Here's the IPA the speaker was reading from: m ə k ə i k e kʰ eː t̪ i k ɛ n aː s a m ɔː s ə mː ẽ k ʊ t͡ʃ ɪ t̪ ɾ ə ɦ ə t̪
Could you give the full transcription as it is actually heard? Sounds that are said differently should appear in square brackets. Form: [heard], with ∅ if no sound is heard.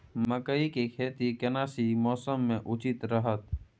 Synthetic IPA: m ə k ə i k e kʰ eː t̪ i k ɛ n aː s [i] m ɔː s ə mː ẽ [ʔ] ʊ t͡ʃ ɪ t̪ ɾ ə ɦ ə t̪